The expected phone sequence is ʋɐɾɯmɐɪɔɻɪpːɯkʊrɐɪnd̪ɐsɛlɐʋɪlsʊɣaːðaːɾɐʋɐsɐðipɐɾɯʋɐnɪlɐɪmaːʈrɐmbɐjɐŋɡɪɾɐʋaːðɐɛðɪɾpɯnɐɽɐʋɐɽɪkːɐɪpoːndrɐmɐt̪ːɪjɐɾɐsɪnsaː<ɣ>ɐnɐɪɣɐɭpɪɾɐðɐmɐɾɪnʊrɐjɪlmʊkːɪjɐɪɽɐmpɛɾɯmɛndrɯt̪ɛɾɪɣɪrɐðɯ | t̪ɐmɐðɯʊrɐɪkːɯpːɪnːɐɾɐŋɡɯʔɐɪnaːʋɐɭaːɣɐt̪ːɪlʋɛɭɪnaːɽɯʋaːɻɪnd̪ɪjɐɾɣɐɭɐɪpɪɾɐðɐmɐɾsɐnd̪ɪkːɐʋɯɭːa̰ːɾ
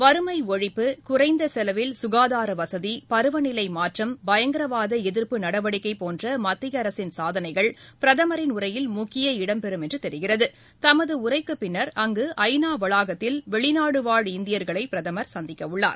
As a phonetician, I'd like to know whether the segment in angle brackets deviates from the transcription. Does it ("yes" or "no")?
yes